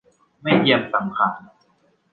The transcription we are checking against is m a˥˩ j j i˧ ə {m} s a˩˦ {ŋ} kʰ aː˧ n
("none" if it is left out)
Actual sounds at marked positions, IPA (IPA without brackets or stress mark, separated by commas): m, m